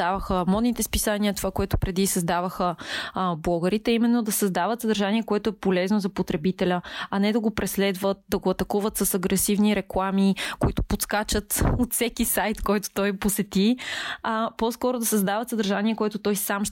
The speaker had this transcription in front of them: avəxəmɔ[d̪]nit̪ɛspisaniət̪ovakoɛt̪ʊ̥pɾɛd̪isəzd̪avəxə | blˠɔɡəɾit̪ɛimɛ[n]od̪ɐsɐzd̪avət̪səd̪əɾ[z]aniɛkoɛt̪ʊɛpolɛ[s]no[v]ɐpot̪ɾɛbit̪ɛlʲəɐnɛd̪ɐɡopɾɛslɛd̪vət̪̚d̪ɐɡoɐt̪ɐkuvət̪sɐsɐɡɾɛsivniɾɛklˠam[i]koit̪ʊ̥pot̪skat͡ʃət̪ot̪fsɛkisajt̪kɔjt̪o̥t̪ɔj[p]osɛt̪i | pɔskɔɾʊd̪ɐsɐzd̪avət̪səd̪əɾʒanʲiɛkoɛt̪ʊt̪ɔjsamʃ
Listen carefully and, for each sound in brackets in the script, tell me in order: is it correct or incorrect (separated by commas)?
correct, incorrect, incorrect, incorrect, incorrect, correct, correct